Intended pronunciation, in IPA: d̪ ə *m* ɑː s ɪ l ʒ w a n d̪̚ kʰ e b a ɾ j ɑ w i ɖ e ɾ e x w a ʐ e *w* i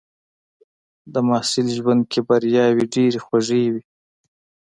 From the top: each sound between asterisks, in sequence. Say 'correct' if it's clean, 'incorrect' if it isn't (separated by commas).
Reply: correct, correct